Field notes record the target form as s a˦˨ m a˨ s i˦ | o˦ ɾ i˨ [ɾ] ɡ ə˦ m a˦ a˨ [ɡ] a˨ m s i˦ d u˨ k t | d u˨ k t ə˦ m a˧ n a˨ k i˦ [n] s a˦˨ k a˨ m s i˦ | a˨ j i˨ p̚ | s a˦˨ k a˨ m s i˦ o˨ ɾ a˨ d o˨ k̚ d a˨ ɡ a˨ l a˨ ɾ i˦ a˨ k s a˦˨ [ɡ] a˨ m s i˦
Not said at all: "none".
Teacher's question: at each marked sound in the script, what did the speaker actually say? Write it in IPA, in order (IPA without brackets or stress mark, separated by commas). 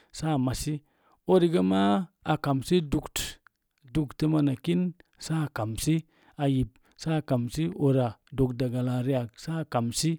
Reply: none, k, n, k